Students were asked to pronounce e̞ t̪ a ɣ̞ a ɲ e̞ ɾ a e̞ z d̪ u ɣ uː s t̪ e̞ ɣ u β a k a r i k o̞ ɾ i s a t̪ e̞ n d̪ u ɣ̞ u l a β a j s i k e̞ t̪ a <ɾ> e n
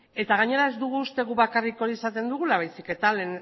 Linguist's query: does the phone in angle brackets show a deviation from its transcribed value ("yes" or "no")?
yes